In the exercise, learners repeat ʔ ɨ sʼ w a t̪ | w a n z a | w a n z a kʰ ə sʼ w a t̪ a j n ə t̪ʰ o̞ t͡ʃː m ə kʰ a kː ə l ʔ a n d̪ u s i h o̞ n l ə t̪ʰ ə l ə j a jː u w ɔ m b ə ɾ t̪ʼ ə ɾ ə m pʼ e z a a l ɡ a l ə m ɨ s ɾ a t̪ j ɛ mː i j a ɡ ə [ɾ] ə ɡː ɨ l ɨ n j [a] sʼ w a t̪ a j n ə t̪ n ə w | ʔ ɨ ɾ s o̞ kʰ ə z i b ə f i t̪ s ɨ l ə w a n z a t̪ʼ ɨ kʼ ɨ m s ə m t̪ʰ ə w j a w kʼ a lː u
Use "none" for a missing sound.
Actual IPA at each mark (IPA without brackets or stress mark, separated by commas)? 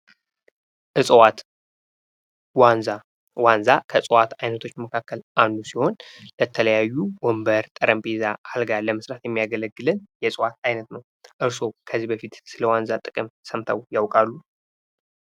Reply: l, ɛ